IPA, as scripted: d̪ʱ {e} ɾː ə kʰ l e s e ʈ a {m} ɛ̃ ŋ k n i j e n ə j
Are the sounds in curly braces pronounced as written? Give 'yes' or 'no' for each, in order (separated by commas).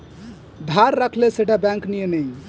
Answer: no, no